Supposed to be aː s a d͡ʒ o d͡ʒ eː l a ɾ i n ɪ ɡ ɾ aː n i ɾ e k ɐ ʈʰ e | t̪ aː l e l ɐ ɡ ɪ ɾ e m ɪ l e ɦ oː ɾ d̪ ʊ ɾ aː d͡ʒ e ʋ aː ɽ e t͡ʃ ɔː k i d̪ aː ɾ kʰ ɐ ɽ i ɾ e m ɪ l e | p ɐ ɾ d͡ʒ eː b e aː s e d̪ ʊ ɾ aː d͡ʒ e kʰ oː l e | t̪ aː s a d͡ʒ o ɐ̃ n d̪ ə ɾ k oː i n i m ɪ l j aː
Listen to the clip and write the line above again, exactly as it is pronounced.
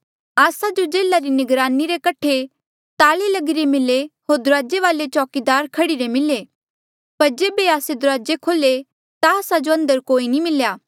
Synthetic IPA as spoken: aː s a d͡ʒ o d͡ʒ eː l a ɾ i n ɪ ɡ ɾ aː n i ɾ e k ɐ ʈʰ e | t̪ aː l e l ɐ ɡ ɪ ɾ e m ɪ l e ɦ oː ɾ d̪ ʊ ɾ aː d͡ʒ e ʋ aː l e t͡ʃ ɔː k i d̪ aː ɾ kʰ ɐ ɽ i ɾ e m ɪ l e | p ɐ ɾ d͡ʒ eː b e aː s e d̪ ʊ ɾ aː d͡ʒ e kʰ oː l e | t̪ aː s a d͡ʒ o ɐ̃ n d̪ ə ɾ k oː i n i m ɪ l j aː

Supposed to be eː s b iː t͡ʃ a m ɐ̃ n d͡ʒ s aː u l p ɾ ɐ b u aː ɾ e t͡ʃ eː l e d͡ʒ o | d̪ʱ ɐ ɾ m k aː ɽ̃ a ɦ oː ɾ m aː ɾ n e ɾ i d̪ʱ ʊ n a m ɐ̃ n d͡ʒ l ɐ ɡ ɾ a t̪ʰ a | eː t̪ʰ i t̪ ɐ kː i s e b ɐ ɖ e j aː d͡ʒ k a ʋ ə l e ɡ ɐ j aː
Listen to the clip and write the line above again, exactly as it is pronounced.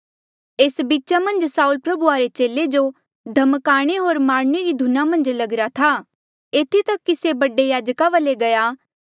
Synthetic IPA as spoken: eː s b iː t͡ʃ a m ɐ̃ n d͡ʒ s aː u l p ɾ ɐ b u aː ɾ e t͡ʃ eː l e d͡ʒ o | d̪ʱ ɐ m k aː ɽ̃ e ɦ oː ɾ m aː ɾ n e ɾ i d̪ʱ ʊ n a m ɐ̃ n d͡ʒ l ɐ ɡ ɾ a t̪ʰ a | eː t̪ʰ i t̪ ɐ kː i s e b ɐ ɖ e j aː d͡ʒ k a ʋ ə l e ɡ ɐ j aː

